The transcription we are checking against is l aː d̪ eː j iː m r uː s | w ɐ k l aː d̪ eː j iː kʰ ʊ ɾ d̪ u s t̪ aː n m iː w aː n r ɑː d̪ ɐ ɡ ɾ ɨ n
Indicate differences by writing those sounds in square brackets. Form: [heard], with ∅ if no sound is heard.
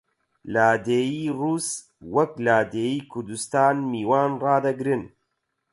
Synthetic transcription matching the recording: l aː d̪ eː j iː [∅] r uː s | w ɐ k l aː d̪ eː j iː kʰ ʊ ɾ d̪ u s t̪ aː n m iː w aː n r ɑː d̪ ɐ ɡ ɾ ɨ n

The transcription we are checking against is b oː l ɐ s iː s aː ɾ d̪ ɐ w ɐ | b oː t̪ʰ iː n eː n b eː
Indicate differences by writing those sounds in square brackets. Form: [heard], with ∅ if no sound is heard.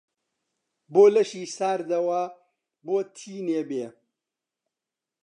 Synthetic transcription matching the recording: b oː l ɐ [ʃ] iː s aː ɾ d̪ ɐ w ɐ | b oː t̪ʰ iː n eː [∅] b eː

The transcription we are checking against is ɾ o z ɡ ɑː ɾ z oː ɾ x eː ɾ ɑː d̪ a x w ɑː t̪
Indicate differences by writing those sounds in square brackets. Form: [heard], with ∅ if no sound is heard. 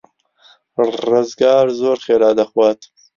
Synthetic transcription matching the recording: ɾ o z ɡ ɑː ɾ z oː ɾ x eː ɾ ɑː d̪ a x w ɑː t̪

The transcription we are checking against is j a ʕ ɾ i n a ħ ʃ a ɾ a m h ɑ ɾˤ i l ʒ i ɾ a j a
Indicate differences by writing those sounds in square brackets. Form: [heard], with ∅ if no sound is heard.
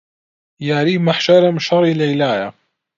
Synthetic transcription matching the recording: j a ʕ ɾ i [m] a ħ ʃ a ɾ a m [ʃ] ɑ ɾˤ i l [ʕ] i [l] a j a

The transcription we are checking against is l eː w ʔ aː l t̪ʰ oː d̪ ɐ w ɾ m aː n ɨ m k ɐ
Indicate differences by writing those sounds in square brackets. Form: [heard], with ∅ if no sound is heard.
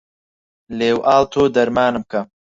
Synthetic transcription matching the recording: l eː w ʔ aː l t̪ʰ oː d̪ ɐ [∅] ɾ m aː n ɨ m k ɐ

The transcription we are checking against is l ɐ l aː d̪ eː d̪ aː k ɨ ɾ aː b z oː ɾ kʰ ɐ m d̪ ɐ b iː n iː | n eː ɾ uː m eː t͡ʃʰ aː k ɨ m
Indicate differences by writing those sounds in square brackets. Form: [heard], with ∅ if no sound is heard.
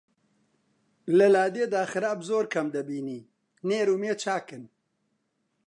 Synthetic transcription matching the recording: l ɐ l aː d̪ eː d̪ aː [x] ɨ ɾ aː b z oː ɾ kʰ ɐ m d̪ ɐ b iː n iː | n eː ɾ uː m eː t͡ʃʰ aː k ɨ [n]

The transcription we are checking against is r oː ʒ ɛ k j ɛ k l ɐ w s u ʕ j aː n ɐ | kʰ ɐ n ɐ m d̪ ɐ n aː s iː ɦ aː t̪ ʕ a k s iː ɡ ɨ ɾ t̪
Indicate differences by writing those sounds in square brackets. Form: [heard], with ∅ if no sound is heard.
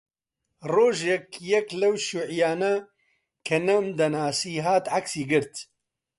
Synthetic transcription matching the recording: r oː ʒ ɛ k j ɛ k l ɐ w [ʃ] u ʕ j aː n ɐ | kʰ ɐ n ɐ m d̪ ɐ n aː s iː ɦ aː t̪ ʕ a k s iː ɡ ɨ ɾ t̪

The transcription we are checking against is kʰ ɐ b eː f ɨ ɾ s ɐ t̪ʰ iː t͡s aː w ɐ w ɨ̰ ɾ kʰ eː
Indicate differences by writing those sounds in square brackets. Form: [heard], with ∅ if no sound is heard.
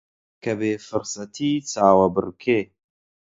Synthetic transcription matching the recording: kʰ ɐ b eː f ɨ ɾ s ɐ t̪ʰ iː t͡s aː w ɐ [b] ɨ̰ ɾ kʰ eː

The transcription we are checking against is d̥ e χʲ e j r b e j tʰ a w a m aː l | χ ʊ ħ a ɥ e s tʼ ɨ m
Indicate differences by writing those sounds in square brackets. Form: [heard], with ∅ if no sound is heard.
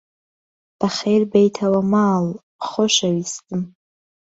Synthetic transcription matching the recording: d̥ [a] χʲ e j r b e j tʰ a w a m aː l | χ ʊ [ʃ] a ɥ [i] s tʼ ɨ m

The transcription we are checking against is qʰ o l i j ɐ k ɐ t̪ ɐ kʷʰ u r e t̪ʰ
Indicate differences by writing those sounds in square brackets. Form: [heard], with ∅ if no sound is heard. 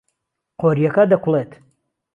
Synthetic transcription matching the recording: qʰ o [ɾ] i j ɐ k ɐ [d̪] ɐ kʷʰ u [l] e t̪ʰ

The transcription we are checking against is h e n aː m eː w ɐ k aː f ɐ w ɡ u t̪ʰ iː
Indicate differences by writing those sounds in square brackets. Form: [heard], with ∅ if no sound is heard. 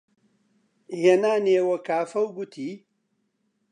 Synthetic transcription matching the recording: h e n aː [n] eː w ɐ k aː f ɐ w ɡ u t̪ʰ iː

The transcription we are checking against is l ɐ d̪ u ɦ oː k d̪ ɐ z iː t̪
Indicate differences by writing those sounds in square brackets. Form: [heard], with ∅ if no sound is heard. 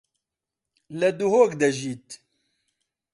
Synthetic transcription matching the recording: l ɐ d̪ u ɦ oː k d̪ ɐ [ʒ] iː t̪

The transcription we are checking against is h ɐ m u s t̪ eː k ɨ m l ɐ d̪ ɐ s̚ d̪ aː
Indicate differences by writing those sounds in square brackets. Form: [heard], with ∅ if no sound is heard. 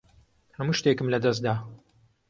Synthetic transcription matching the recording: h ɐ m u [ʃ] t̪ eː k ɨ m l ɐ d̪ ɐ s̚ d̪ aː

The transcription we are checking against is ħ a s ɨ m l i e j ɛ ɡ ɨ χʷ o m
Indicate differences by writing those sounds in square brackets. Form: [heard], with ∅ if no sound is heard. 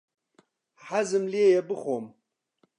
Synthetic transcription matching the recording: ħ a [z] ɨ m l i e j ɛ [b] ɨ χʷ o m

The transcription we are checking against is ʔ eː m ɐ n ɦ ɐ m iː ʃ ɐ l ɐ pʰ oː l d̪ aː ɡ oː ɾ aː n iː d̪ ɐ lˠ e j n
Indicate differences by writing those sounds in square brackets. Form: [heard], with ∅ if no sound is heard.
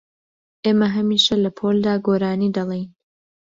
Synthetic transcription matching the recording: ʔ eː m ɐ [∅] ɦ ɐ m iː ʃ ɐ l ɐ pʰ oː l d̪ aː ɡ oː ɾ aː n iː d̪ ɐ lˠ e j n

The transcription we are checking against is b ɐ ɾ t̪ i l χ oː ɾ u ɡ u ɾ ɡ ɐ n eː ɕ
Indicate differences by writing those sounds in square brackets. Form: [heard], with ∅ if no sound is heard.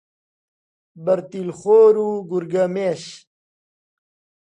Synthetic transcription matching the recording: b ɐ ɾ t̪ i l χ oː ɾ u ɡ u ɾ ɡ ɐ [m] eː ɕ

